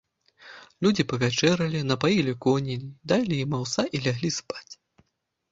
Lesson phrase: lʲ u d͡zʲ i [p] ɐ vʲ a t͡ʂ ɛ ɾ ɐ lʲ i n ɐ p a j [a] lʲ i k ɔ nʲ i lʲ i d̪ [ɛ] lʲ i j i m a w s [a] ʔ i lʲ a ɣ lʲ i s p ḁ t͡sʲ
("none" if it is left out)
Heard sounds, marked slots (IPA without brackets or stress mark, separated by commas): p, i, a, a